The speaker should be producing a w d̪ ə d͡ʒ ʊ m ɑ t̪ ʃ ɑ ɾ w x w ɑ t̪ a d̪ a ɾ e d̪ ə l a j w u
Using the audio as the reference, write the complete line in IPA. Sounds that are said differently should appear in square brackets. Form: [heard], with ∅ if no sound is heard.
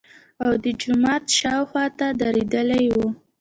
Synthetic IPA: a w d̪ ə d͡ʒ ʊ m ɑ t̪ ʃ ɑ [∅] w x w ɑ t̪ a d̪ a ɾ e d̪ ə l a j w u